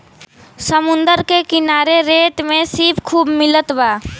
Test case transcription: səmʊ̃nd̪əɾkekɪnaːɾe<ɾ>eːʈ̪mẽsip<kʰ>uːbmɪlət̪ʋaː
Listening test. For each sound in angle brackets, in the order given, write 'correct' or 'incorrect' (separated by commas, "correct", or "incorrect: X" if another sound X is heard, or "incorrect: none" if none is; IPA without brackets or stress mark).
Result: correct, correct